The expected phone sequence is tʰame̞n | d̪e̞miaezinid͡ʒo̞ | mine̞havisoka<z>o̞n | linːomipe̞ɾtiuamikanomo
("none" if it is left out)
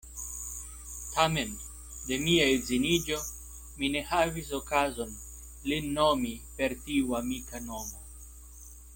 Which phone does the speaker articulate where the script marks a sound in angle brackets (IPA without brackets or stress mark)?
z